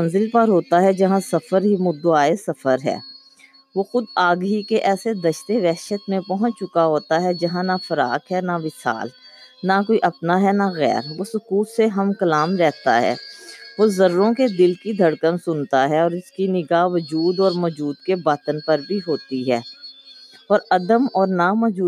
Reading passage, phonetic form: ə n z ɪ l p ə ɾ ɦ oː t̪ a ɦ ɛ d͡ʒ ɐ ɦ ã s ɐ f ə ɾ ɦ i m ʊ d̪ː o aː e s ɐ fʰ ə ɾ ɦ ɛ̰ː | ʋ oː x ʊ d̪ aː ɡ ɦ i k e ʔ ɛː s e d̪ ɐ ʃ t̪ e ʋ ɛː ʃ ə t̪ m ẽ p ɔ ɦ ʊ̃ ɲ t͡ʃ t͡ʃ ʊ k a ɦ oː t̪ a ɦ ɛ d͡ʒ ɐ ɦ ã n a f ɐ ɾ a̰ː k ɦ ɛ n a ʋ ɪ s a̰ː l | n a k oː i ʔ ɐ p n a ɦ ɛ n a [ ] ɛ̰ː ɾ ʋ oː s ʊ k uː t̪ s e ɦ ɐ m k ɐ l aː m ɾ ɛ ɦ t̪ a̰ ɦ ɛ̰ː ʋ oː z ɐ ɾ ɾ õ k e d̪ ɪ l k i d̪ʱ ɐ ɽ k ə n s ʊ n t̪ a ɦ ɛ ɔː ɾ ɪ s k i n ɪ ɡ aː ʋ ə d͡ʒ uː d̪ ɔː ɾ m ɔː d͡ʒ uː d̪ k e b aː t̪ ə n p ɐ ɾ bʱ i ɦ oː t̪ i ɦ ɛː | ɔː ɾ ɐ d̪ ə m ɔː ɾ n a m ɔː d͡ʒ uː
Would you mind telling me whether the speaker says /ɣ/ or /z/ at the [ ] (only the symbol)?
ɣ